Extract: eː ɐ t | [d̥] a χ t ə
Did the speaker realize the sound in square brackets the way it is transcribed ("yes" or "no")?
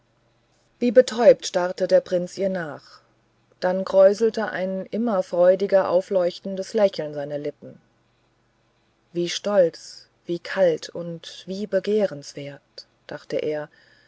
yes